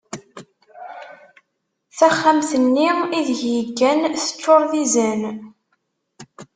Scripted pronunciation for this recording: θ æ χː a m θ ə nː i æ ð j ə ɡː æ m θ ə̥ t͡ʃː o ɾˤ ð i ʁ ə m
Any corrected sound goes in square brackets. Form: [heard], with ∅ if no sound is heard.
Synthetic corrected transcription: θ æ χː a m θ ə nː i [i] ð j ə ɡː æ [n] θ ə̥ t͡ʃː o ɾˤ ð i [z] ə [n]